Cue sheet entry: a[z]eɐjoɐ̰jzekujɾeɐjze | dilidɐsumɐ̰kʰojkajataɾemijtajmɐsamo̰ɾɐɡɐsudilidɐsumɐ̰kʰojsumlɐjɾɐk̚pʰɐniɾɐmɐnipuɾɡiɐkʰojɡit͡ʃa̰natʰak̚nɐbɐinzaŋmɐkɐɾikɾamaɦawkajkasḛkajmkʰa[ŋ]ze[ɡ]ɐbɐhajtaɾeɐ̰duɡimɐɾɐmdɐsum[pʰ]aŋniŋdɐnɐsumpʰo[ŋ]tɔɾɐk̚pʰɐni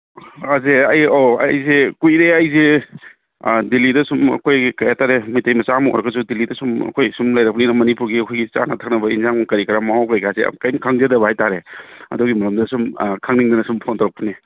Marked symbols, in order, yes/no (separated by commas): yes, yes, no, no, no